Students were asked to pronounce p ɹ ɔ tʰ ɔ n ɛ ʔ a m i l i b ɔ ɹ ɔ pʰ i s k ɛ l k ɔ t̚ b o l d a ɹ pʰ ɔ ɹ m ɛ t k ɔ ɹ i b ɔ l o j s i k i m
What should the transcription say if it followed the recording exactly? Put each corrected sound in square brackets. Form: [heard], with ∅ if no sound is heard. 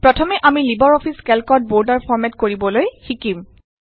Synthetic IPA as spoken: p ɹ ɔ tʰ ɔ [m] ɛ ʔ a m i l i b ɔ ɹ ɔ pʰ i s k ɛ l k ɔ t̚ b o [ɹ] d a ɹ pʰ ɔ ɹ m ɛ t k [o] ɹ i b ɔ l o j [x] i k i m